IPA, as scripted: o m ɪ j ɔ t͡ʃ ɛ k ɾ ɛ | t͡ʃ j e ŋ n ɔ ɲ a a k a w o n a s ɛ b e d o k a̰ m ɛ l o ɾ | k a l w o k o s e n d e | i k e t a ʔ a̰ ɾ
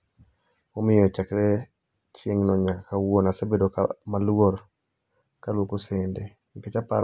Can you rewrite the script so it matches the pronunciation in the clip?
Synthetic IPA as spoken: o m ɪ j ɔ t͡ʃ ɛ k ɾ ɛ | t͡ʃ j e ŋ n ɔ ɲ a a k a w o n a s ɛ b e d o k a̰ m a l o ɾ | k a l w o k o s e n d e | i k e t͡ʃ a p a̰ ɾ

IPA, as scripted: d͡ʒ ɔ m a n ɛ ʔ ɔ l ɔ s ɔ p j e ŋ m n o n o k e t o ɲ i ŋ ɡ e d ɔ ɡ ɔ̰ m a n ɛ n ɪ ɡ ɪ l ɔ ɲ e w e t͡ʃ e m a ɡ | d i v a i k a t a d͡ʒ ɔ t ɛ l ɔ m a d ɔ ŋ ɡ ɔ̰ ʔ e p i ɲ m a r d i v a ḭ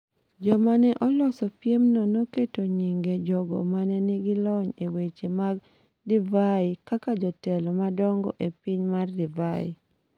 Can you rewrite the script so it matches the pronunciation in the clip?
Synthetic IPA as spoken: d͡ʒ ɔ m a n ɛ ʔ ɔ l ɔ s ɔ p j e m n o n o k e t o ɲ i ŋ ɡ e d͡ʒ ɔ ɡ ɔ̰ m a n ɛ n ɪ ɡ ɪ l ɔ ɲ e w e t͡ʃ e m a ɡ | d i v a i k a k a d͡ʒ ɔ t ɛ l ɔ m a d ɔ ŋ ɡ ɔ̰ ʔ e p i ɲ m a r d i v a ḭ

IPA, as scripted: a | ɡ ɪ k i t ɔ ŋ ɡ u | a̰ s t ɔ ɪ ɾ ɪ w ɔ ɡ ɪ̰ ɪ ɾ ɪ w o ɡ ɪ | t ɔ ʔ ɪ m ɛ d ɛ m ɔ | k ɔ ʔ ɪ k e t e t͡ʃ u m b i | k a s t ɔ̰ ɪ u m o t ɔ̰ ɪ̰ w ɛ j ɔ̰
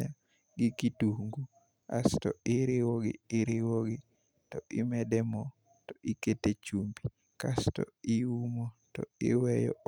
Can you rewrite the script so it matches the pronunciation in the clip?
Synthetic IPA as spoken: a | ɡ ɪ k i t u ŋ ɡ u | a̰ s t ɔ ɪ ɾ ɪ w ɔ ɡ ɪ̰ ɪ ɾ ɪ w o ɡ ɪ | t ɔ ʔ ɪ m ɛ d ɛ m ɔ | t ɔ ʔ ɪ k e t e t͡ʃ u m b i | k a s t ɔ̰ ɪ u m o t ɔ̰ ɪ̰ w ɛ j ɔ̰

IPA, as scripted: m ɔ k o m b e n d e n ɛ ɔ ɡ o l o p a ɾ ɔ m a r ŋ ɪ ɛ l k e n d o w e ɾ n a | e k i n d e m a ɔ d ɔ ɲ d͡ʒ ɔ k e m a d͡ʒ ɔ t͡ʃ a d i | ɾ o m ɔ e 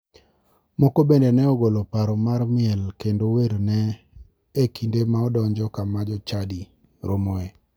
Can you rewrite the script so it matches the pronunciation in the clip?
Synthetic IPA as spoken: m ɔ k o b e n d e n ɛ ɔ ɡ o l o p a ɾ ɔ m a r m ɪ ɛ l k e n d o w e ɾ n ɛ | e k i n d e m a ɔ d ɔ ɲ d͡ʒ ɔ k a m a d͡ʒ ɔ t͡ʃ a d i | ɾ o m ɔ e

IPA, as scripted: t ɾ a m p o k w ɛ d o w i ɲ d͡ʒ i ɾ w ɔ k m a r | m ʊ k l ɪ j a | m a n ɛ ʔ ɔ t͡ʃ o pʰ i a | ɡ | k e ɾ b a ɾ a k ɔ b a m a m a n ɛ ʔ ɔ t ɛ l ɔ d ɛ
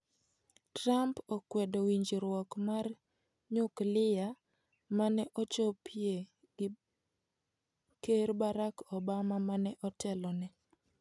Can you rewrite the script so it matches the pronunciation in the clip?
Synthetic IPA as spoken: t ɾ a m p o k w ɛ d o w i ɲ d͡ʒ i ɾ w ɔ k m a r | ɲ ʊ k l ɪ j a | m a n ɛ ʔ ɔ t͡ʃ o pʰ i e | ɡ | k e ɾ b a ɾ a k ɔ b a m a m a n ɛ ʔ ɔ t ɛ l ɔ n ɛ

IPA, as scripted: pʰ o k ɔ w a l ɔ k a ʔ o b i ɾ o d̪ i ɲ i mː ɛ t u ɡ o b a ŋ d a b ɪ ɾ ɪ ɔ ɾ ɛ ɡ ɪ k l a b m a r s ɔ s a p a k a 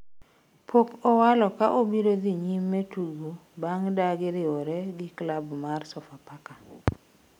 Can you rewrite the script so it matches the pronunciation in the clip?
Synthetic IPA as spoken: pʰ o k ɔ w a l ɔ k a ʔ o b i ɾ o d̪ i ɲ i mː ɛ t u ɡ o b a ŋ d a ɡ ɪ ɾ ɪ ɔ ɾ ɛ ɡ ɪ k l a b m a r s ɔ f a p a k a

